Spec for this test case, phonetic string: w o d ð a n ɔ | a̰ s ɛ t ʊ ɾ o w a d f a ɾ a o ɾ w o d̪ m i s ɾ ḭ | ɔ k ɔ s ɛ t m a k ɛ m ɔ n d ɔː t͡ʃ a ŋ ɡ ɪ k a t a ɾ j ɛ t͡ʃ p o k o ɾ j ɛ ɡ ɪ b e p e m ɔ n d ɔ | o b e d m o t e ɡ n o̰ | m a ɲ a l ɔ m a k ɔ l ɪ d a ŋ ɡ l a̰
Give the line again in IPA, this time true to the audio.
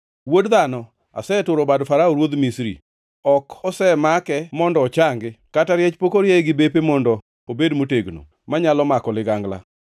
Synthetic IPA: w o d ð a n ɔ | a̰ s ɛ t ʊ ɾ o b a d f a ɾ a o ɾ w o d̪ m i s ɾ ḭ | ɔ k ɔ s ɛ m a k ɛ m ɔ n d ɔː t͡ʃ a ŋ ɡ ɪ k a t a ɾ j ɛ t͡ʃ p o k o ɾ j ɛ ɡ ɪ b e p e m ɔ n d ɔ | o b e d m o t e ɡ n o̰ | m a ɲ a l ɔ m a k ɔ l ɪ ɡ a ŋ ɡ l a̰